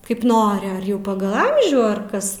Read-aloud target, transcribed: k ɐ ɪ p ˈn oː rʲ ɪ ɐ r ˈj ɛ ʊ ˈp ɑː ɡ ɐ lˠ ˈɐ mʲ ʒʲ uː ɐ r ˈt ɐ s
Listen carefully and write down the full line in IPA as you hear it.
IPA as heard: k ɐ ɪ p ˈn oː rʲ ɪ ɐ r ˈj ɛ ʊ ˈp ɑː ɡ ɐ lˠ ˈɐ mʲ ʒʲ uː ɐ r ˈk ɐ s